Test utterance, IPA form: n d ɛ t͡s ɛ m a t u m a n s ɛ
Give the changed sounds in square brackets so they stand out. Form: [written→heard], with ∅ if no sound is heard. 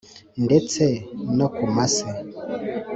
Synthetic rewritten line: n d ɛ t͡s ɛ [m→n] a [t→k] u m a [n→∅] s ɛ